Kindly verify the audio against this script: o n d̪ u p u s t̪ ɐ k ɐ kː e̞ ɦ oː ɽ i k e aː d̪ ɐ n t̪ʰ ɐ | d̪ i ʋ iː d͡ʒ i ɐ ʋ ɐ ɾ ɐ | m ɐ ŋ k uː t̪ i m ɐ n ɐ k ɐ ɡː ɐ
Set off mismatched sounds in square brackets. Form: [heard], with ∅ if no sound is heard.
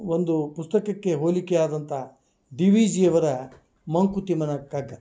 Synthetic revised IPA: o n d̪ u p u s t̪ ɐ k ɐ kː e̞ ɦ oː [l] i k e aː d̪ ɐ n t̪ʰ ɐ | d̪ i ʋ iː d͡ʒ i ɐ ʋ ɐ ɾ ɐ | m ɐ ŋ k [u] t̪ i m ɐ n ɐ k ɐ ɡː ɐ